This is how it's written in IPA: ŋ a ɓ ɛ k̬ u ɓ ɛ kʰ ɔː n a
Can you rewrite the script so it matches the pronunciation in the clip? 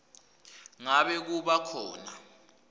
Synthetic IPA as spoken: ŋ a ɓ ɛ k̬ u ɓ a kʰ ɔː n a

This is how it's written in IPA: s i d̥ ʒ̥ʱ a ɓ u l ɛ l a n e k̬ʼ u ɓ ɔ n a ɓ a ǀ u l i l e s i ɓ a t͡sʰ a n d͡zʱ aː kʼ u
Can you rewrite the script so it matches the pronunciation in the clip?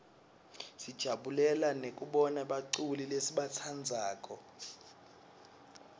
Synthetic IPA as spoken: s i d̥ ʒ̥ʱ a ɓ u l ɛ l a n e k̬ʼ u ɓ ɔ n a ɓ a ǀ u l i l e s i ɓ a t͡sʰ a n d͡zʱ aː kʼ ɔ

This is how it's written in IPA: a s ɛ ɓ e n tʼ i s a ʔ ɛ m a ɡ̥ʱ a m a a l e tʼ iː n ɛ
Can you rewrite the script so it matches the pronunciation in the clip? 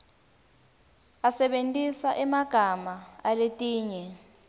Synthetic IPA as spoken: a s ɛ ɓ e n tʼ i s a ʔ ɛ m a ɡ̥ʱ a m a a l e tʼ iː ɲ ɛ

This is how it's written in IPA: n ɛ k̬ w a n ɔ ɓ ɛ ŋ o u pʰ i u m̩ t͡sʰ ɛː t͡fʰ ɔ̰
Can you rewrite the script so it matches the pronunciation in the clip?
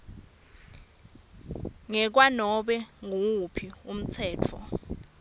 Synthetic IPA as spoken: ŋ ɛ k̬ w a n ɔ ɓ ɛ ŋ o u pʰ i u m̩ t͡sʰ ɛː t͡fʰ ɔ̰

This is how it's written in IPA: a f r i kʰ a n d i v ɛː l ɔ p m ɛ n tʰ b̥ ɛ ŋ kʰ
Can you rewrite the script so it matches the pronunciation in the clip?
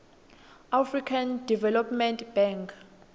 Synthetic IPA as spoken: a f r i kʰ a n d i v ɛ l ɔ p m ɛ n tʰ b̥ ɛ ŋ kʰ

